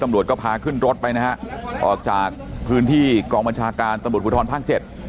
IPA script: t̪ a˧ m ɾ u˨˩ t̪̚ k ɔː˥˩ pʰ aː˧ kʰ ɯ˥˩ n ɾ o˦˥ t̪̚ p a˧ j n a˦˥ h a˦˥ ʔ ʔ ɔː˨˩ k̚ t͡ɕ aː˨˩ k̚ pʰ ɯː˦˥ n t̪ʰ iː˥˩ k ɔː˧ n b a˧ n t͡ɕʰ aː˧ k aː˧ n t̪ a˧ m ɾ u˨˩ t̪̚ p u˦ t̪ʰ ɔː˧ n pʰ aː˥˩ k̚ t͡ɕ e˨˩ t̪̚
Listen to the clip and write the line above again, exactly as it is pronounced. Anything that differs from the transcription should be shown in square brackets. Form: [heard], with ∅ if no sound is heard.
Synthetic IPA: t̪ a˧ m ɾ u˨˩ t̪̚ k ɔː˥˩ pʰ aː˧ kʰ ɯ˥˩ n ɾ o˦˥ t̪̚ p a˧ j n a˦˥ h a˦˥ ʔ ʔ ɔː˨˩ k̚ t͡ɕ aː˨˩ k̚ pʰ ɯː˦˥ n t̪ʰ iː˥˩ k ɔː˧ [ŋ] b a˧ n t͡ɕʰ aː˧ k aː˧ n t̪ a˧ m ɾ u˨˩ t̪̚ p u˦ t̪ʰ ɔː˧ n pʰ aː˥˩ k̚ t͡ɕ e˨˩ t̪̚